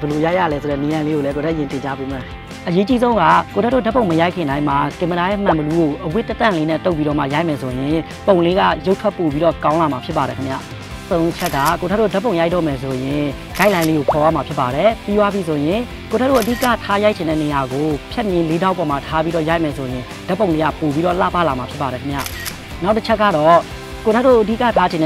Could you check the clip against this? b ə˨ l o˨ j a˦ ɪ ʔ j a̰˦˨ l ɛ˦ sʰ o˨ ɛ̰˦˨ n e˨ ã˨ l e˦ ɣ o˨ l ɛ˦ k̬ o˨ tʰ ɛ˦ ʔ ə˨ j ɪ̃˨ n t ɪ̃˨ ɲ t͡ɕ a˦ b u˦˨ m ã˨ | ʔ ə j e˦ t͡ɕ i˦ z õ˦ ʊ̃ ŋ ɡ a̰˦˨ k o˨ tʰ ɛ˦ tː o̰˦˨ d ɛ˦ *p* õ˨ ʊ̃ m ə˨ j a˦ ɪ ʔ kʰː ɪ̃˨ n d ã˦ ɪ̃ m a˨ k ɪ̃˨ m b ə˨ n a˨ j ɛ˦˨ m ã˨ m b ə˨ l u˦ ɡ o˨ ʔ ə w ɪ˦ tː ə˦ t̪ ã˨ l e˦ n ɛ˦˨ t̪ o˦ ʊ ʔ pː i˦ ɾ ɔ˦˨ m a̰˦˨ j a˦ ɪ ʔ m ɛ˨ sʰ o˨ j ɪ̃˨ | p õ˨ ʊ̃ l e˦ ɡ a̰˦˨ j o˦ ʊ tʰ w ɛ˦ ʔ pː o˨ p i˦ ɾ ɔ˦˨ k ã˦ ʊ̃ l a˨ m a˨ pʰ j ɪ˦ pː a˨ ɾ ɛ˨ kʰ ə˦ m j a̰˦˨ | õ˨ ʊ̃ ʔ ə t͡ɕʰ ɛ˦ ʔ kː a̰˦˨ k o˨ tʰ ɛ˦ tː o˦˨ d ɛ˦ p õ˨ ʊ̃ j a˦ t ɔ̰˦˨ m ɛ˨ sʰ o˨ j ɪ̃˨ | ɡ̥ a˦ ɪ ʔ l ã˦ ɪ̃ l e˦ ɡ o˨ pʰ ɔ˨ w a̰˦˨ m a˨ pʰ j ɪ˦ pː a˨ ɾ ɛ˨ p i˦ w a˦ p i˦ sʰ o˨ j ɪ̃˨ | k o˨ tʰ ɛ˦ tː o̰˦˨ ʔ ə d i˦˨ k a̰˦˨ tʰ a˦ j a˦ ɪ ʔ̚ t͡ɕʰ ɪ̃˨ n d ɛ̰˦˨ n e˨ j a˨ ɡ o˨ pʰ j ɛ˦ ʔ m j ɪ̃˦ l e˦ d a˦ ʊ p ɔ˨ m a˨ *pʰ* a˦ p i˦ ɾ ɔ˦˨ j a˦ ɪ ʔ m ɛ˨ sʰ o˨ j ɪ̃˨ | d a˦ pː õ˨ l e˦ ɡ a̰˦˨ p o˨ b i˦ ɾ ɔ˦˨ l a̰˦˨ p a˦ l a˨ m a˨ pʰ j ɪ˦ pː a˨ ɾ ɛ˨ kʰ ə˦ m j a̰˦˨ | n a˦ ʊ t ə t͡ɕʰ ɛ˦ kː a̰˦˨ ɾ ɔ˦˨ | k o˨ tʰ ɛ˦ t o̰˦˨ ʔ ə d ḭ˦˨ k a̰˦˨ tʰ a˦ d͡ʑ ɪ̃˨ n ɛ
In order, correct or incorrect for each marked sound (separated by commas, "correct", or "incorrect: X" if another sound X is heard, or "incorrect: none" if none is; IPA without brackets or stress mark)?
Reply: correct, incorrect: tʰ